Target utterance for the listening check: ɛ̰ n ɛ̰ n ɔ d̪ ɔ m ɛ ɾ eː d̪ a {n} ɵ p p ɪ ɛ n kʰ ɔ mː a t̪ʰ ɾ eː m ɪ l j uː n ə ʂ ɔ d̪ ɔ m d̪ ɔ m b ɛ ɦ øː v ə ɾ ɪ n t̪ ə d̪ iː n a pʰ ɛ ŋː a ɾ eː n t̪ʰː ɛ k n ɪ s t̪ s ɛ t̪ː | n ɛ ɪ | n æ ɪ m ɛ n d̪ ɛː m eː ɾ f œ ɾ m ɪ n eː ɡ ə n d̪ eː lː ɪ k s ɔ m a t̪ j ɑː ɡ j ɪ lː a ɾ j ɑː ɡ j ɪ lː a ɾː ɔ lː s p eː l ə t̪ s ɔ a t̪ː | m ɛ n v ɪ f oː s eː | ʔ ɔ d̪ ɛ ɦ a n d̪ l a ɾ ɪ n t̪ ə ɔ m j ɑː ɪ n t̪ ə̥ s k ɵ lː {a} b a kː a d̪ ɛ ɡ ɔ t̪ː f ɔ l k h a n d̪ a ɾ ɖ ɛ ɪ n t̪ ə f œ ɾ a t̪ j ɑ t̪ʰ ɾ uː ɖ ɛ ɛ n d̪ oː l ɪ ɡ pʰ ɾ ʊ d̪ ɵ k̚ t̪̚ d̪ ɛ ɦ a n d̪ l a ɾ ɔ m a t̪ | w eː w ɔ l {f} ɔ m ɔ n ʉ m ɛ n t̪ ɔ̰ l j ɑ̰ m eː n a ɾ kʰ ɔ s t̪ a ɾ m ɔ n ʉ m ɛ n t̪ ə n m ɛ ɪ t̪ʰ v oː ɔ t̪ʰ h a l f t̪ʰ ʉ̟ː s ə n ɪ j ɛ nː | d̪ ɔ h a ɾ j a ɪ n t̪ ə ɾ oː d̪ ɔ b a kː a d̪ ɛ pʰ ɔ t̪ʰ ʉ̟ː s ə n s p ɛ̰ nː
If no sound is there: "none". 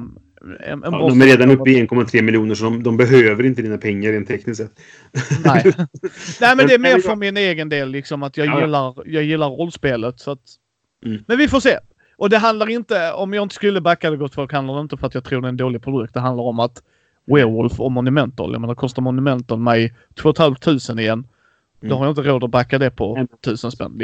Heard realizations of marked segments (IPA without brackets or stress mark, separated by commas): n, ə, f